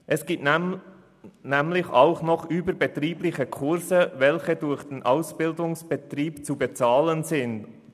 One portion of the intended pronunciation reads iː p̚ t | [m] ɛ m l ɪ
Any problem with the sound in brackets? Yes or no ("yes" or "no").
yes